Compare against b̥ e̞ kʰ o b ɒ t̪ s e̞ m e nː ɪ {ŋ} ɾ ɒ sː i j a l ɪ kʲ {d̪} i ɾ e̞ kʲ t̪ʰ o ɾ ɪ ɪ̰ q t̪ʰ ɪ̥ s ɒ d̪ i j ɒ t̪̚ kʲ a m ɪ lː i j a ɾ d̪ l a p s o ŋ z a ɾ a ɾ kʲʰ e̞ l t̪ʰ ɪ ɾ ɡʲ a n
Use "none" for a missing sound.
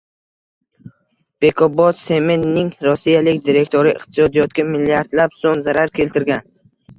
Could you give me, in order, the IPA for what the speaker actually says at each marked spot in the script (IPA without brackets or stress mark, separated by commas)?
ŋ, d̪